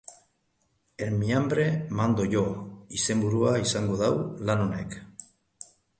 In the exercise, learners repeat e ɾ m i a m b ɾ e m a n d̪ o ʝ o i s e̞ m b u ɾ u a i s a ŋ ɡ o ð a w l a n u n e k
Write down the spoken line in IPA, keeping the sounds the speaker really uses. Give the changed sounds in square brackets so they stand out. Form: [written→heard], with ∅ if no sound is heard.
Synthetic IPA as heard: e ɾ m i a m b ɾ e m a n d̪ o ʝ o i s e̞ m b u ɾ u a i s a ŋ ɡ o ð a w l a n [u→o] n e k